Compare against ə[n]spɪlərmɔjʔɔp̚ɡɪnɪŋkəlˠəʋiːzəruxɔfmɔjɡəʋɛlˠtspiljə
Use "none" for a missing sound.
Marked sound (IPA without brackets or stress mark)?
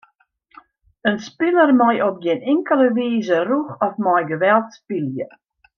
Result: n